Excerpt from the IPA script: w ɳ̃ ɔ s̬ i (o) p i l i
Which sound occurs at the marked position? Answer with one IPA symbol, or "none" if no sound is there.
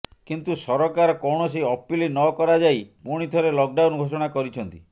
ɔ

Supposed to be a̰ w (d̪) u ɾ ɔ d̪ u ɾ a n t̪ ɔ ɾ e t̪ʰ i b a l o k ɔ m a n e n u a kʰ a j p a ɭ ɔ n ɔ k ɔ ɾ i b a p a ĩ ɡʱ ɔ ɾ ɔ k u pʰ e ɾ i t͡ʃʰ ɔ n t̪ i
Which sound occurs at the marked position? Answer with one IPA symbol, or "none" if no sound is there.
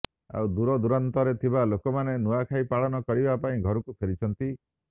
d̪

